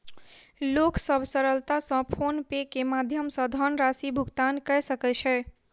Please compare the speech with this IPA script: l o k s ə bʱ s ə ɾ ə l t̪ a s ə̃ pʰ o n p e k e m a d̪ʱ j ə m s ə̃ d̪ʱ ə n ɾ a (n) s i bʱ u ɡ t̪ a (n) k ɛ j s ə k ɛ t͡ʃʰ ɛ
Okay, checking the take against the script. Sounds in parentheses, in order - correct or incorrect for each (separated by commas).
incorrect, correct